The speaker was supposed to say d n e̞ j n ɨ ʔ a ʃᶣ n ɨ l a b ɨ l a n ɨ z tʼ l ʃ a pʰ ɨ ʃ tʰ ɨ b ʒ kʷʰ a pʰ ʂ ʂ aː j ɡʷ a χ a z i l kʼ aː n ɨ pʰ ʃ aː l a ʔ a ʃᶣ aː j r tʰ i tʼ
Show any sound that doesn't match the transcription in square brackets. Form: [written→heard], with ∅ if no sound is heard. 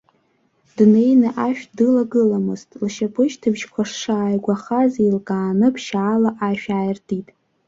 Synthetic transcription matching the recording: d n e̞ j n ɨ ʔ a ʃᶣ [n→d] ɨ l a [b→ɡ] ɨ l a [n→m] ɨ z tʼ l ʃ a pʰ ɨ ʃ tʰ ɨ b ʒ kʷʰ a [pʰ→∅] ʂ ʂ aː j ɡʷ a χ a z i l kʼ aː n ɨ pʰ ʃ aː l a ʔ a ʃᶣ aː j r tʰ i tʼ